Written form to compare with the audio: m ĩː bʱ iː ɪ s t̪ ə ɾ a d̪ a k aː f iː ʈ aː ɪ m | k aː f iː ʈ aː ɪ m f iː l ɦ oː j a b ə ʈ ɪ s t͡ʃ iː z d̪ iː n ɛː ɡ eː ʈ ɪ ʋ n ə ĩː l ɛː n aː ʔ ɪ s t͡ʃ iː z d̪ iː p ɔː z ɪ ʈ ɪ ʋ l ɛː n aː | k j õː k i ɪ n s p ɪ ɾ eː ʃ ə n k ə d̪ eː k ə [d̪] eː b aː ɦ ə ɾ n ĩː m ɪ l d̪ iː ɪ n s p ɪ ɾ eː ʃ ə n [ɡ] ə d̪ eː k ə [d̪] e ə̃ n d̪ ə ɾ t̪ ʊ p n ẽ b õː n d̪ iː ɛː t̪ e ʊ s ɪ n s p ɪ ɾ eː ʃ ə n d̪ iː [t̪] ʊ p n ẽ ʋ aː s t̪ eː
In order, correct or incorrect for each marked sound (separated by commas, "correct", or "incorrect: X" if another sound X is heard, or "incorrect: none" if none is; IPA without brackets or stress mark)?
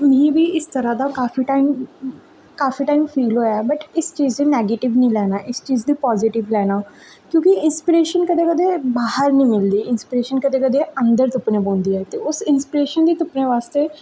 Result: correct, incorrect: k, correct, correct